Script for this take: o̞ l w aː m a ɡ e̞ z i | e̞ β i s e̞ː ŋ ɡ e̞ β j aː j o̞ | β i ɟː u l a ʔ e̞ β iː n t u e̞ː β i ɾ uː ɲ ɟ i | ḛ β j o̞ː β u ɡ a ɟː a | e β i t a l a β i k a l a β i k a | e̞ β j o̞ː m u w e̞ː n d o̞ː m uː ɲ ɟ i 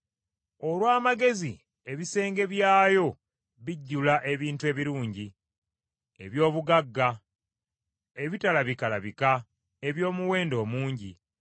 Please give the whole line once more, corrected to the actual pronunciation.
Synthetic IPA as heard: o̞ l w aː m a ɡ e̞ z i | e̞ β i s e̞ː ŋ ɡ e̞ β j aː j o̞ | β i ɟː u l a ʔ e̞ β iː n t u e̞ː β i ɾ uː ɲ ɟ i | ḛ β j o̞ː β u ɡ a ɡː a | e β i t a l a β i k a l a β i k a | e̞ β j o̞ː m u w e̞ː n d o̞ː m uː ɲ ɟ i